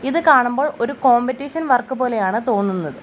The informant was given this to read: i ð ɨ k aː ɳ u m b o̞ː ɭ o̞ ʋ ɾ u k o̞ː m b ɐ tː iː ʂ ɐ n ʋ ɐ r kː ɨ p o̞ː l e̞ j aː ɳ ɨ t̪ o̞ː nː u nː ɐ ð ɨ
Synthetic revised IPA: i ð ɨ k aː ɳ u m b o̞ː ɭ o̞ ɾ u k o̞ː m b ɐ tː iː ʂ ɐ n ʋ ɐ r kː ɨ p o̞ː l e̞ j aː ɳ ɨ t̪ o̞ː nː u nː ɐ ð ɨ